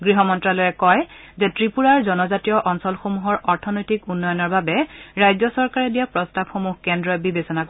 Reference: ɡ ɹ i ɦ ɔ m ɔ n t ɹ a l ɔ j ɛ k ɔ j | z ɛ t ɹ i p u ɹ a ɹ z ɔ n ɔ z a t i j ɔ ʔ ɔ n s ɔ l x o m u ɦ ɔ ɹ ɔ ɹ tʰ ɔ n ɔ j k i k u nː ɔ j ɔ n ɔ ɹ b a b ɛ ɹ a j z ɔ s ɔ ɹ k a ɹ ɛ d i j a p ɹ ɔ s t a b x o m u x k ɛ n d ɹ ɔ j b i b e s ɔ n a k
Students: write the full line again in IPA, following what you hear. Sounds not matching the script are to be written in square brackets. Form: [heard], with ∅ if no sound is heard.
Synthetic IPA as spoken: ɡ ɹ i ɦ ɔ m ɔ n t ɹ a l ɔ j ɛ k ɔ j | z ɛ t ɹ i p u ɹ a ɹ z ɔ n ɔ z a t i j ɔ ʔ ɔ n s ɔ l x o m u ɦ ɔ ɹ ɔ ɹ tʰ ɔ n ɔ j [t] i k u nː ɔ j ɔ n ɔ ɹ b a b ɛ ɹ a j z ɔ s ɔ ɹ k a ɹ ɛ d i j a p ɹ ɔ s t a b x o m u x k ɛ n d ɹ ɔ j b i b e s ɔ n a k